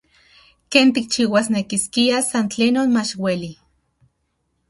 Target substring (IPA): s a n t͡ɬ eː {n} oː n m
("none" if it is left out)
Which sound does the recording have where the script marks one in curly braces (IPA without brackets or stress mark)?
n